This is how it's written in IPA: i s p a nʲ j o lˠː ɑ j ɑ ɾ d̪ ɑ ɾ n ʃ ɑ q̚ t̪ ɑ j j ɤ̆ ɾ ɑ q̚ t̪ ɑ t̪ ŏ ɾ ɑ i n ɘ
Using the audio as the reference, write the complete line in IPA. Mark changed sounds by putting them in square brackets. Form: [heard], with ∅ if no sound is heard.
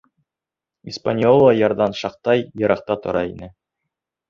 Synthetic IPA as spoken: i s p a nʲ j o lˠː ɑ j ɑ ɾ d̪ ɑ [∅] n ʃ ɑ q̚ t̪ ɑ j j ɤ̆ ɾ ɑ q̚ t̪ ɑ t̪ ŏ ɾ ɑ i n ɘ